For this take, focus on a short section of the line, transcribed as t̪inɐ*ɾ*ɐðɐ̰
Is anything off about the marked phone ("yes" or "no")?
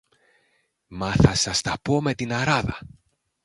no